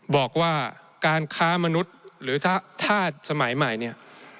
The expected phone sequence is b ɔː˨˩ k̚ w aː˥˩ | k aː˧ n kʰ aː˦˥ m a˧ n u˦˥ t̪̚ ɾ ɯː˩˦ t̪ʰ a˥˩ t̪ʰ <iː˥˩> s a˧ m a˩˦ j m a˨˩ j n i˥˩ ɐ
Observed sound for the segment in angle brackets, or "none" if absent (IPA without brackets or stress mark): aː˥˩